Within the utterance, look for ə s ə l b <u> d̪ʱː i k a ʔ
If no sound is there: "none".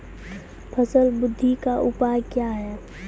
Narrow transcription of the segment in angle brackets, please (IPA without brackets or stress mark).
ʊ